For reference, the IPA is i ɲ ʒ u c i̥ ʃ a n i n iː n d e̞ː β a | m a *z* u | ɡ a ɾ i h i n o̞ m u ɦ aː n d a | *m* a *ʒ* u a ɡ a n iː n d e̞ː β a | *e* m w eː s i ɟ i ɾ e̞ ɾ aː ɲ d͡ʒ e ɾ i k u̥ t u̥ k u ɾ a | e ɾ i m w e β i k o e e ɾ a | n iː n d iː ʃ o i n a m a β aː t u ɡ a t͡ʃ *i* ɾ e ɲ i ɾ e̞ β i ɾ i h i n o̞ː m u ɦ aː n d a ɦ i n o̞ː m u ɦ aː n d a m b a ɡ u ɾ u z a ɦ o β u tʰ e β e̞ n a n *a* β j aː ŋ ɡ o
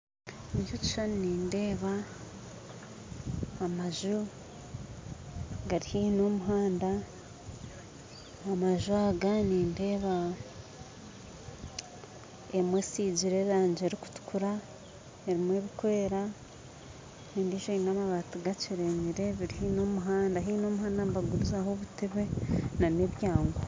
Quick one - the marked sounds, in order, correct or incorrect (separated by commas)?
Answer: incorrect, correct, correct, correct, correct, incorrect